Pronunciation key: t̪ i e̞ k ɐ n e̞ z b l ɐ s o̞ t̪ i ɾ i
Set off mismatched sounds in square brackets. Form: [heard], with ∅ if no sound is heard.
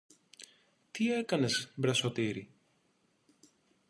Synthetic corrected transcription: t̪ i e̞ k ɐ n e̞ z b [ɾ] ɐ s o̞ t̪ i ɾ i